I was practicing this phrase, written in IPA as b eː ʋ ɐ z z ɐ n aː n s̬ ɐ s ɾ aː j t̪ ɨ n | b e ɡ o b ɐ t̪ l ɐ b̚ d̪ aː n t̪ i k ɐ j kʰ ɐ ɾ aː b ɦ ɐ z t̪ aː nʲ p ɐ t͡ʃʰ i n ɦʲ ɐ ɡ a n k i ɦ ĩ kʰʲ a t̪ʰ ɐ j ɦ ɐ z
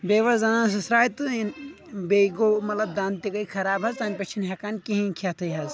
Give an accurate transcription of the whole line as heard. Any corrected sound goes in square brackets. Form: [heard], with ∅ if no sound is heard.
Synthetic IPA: b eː ʋ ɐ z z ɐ n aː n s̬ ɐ s ɾ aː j t̪ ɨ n | b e ɡ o [m] ɐ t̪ l ɐ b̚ d̪ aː n t̪ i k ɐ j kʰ ɐ ɾ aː b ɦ ɐ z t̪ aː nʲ p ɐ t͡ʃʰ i n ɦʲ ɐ [k] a n k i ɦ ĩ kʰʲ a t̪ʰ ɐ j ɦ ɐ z